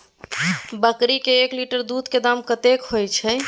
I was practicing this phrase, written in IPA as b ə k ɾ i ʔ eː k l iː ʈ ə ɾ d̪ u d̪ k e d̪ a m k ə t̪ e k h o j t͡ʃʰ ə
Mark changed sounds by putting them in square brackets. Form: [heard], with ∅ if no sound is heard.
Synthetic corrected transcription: b ə k ɾ i [k] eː k l [i] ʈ ə ɾ d̪ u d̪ k e d̪ a m k ə t̪ e k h o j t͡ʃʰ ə